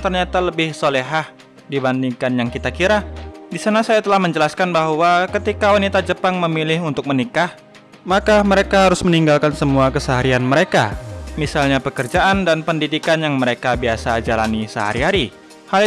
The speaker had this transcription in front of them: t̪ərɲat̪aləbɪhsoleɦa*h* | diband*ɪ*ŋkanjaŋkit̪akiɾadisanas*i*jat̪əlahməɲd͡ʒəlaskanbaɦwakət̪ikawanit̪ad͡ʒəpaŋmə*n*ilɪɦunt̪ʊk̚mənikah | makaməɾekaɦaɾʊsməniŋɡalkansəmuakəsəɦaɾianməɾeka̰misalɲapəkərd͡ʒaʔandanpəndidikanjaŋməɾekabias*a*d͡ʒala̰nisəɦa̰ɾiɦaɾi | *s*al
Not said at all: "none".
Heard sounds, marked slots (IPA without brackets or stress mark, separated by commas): h, i, a, m, a, h